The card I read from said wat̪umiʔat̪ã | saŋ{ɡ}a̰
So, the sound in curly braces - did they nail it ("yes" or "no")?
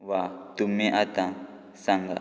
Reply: yes